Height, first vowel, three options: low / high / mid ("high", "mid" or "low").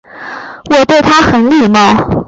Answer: mid